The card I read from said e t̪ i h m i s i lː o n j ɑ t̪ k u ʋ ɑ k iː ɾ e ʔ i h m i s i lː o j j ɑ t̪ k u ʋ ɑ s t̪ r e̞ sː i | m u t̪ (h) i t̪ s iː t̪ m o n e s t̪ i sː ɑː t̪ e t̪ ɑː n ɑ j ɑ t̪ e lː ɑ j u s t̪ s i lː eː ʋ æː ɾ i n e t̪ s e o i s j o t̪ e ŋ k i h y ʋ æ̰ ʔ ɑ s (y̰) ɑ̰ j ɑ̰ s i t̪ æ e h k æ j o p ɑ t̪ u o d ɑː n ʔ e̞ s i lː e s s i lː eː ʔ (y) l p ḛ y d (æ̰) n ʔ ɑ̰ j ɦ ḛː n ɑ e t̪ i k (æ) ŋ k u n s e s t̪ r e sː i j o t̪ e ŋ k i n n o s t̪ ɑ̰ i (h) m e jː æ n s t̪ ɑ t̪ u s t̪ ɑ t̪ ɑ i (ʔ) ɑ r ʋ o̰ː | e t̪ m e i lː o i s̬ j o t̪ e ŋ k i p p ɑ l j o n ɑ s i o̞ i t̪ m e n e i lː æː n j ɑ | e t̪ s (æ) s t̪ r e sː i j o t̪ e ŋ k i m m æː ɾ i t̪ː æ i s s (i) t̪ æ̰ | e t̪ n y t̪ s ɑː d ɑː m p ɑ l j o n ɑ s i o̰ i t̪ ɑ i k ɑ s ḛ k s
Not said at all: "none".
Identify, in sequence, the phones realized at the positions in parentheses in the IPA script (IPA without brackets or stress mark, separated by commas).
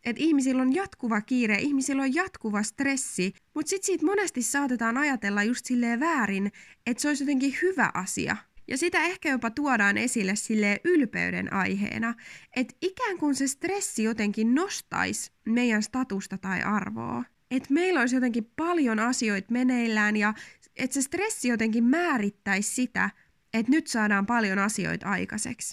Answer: s, ḭ, y, ḛ, æː, s, ʔ, e, i